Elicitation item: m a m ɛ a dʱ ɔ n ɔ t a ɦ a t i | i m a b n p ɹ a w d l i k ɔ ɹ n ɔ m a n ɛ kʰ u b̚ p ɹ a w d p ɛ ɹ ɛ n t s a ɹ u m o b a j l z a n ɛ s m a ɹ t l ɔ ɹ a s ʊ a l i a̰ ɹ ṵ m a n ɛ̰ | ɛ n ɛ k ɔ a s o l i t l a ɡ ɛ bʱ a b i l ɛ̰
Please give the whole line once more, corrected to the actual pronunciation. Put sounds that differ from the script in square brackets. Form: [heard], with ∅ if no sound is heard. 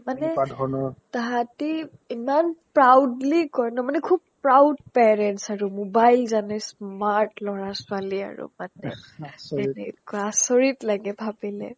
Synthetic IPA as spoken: m a [n] ɛ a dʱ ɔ n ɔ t a ɦ a t i | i m a [∅] n p ɹ a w d l i k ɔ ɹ n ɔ m a n ɛ kʰ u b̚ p ɹ a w d p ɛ ɹ ɛ n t s a ɹ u m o b a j l z a n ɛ s m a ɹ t l ɔ ɹ a s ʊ a l i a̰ ɹ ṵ m a n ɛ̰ | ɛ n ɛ k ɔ a s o [ɹ] i t l a ɡ ɛ bʱ a b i l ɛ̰